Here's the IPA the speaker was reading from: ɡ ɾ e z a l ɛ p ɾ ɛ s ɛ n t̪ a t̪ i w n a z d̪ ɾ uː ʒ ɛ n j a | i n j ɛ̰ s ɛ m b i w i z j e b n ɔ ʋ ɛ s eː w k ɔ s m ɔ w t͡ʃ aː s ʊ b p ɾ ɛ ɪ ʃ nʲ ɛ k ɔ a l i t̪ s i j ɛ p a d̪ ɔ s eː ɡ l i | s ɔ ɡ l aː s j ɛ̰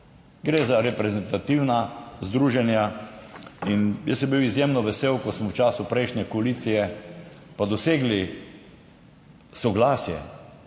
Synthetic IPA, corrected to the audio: ɡ ɾ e z a ɾ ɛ p ɾ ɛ z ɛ n t̪ a t̪ i w n a z d̪ ɾ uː ʒ ɛ n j a | i n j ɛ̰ s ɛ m b i w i z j e m n ɔ ʋ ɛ s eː w k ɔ s m ɔ w t͡ʃ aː s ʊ p ɾ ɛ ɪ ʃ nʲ ɛ k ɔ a l i t̪ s i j ɛ p a d̪ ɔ s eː ɡ l i | s ɔ ɡ l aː s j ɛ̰

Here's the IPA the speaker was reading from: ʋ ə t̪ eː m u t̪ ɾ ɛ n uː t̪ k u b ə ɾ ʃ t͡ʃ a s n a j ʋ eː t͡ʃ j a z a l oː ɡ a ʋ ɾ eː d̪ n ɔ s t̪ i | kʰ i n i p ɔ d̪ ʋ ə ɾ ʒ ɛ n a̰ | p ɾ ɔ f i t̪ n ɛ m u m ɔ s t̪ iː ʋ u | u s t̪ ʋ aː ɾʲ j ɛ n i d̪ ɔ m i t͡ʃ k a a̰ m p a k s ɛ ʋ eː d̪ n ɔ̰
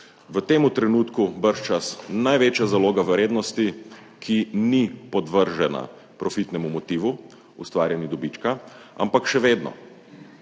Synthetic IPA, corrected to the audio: ʋ ə t̪ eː m u t̪ ɾ ɛ n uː t̪ k u b ə ɾ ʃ t͡ʃ a s n a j ʋ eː t͡ʃ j a z a l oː ɡ a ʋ ɾ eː d̪ n ɔ s t̪ i | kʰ i n i p ɔ d̪ ʋ ə ɾ ʒ ɛ n a̰ | p ɾ ɔ f i t̪ n ɛ m u m ɔ t̪ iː ʋ u | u s t̪ ʋ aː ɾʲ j ɛ n i d̪ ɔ b i t͡ʃ k a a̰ m p a k ʃ ɛ ʋ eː d̪ n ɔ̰

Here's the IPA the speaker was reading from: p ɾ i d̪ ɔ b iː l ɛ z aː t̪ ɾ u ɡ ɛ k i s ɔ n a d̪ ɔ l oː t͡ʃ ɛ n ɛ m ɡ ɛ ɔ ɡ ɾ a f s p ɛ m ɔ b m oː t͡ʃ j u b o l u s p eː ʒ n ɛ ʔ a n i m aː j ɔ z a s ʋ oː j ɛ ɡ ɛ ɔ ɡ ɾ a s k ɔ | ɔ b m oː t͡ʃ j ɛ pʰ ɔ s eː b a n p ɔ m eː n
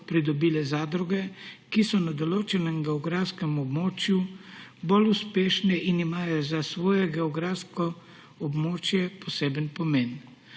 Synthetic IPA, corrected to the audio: p ɾ i d̪ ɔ b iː l ɛ z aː d̪ ɾ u ɡ ɛ k i s ɔ n a d̪ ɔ l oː t͡ʃ ɛ n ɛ m ɡ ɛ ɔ ɡ ɾ a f s k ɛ m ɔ b m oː t͡ʃ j u b o l u s p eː ʃ n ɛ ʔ i n i m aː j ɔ z a s ʋ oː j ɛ ɡ ɛ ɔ ɡ ɾ a s k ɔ | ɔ b m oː t͡ʃ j ɛ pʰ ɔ s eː b ə n p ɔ m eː n

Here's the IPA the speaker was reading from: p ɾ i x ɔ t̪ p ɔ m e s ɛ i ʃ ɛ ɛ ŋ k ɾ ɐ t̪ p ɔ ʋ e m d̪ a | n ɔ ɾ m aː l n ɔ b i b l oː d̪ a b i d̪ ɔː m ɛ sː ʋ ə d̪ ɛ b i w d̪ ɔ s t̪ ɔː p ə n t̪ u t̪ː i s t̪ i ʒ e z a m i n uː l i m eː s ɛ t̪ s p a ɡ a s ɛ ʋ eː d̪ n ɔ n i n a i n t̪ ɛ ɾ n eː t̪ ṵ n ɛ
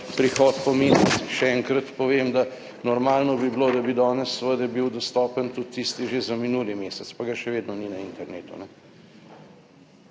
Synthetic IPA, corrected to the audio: p ɾ i x ɔ t̪ p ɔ m e s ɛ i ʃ ɛ ɛ ŋ k ɾ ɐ t̪ p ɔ ʋ e m d̪ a | n ɔ ɾ m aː l n ɔ b i b l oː d̪ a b i d̪ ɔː n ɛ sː ʋ ə d̪ ɛ b i w d̪ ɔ s t̪ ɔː p ə n t̪ u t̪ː i s t̪ i ʒ e z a m i n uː l i m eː s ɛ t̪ s p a ɡ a ʃ ɛ ʋ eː d̪ n ɔ n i n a i n t̪ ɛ ɾ n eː t̪ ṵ n ɛ

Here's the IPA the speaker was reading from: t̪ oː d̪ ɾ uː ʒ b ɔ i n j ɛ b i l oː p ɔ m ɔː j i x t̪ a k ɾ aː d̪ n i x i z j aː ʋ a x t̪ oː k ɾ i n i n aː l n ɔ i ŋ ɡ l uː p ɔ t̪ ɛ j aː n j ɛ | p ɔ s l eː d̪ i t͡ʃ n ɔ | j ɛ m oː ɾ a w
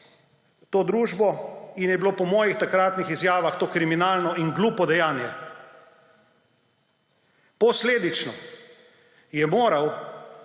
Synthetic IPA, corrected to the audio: t̪ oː d̪ ɾ uː ʒ b ɔ i n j ɛ b i l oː p ɔ m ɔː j i x t̪ a k ɾ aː t̪ n i x i z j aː ʋ a x t̪ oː k ɾ i m i n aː l n ɔ i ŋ ɡ l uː p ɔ d̪ ɛ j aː n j ɛ | p ɔ s l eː d̪ i t͡ʃ n ɔ | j ɛ m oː ɾ a w

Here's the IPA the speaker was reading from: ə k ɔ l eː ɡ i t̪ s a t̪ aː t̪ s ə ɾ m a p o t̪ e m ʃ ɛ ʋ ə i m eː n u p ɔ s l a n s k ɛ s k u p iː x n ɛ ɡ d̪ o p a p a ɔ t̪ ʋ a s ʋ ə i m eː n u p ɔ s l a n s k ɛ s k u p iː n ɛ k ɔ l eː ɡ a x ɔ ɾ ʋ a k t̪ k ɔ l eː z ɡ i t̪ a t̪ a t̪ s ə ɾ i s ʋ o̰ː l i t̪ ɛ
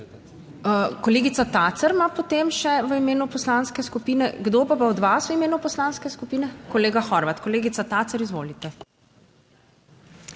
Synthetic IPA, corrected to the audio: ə k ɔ l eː ɡ i t̪ s a t̪ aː t̪ s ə ɾ m a p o t̪ e m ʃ ɛ ʋ ə i m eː n u p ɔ s l a n s k ɛ s k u p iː n ɛ ɡ d̪ o p a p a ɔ d̪ ʋ a s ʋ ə i m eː n u p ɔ s l a n s k ɛ s k u p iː n ɛ k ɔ l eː ɡ a x ɔ ɾ ʋ a t̪ k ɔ l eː ɡ i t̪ a t̪ a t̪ s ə ɾ i z ʋ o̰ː l i t̪ ɛ

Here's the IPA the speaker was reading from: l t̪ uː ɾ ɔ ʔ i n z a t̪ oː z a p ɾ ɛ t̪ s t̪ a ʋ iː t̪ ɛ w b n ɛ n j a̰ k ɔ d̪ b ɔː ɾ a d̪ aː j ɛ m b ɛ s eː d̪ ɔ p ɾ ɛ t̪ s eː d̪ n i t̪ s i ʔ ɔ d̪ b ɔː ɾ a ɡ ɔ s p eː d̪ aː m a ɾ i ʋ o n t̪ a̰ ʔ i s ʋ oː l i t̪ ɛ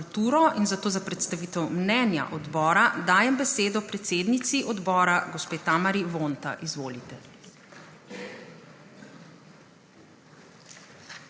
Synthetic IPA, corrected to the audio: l t̪ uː ɾ ɔ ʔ i n z a t̪ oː z a p ɾ ɛ t̪ s t̪ a ʋ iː t̪ ɛ w m n ɛ n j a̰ ʔ ɔ d̪ b ɔː ɾ a d̪ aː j ɛ m b ɛ s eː d̪ ɔ p ɾ ɛ t̪ s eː d̪ n i t̪ s i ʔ ɔ d̪ b ɔː ɾ a ɡ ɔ s p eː t̪ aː m a ɾ i ʋ o n t̪ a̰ ʔ i z ʋ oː l i t̪ ɛ

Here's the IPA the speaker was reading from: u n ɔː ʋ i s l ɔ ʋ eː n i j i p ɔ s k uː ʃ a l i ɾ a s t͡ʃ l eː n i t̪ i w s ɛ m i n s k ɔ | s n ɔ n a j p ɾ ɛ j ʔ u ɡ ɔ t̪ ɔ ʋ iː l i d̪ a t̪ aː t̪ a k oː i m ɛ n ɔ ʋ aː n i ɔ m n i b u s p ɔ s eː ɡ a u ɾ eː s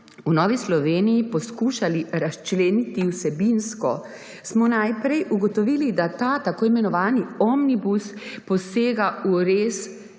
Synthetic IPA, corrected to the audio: u n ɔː ʋ i s l ɔ ʋ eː n i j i p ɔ s k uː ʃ a l i ɾ a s t͡ʃ l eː n i t̪ i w s ɛ b i n s k ɔ | s m ɔ n a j p ɾ ɛ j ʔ u ɡ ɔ t̪ ɔ ʋ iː l i d̪ a t̪ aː t̪ a k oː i m ɛ n ɔ ʋ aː n i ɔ m n i b u s p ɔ s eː ɡ a u ɾ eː s

